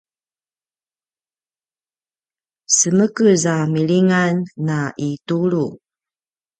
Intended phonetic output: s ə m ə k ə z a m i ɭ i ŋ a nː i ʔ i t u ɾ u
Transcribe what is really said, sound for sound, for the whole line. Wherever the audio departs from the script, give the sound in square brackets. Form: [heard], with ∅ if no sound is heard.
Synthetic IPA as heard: s ə m ə k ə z a m i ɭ i ŋ a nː [a] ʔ i t u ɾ u